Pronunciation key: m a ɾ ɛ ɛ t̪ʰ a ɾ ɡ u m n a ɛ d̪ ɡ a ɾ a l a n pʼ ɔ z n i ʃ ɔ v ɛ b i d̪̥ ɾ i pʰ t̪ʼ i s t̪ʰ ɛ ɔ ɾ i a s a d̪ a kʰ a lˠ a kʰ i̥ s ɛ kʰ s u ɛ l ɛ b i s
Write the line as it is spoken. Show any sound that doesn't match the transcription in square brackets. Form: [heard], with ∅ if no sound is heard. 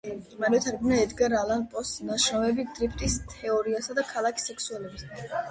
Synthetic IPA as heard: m a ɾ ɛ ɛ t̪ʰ a ɾ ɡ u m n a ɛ d̪ ɡ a ɾ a l a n pʼ ɔ [s] n [a] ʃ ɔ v ɛ b i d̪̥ ɾ i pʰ t̪ʼ i s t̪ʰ ɛ ɔ ɾ i a s a d̪ a kʰ a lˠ a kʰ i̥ s ɛ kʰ s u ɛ l ɛ b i s